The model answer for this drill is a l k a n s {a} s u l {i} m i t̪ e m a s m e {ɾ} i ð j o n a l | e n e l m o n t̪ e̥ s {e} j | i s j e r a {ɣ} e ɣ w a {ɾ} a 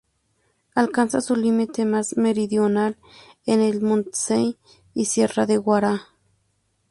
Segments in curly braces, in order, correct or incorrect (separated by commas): correct, correct, correct, correct, incorrect, correct